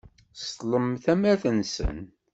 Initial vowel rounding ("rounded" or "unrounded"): unrounded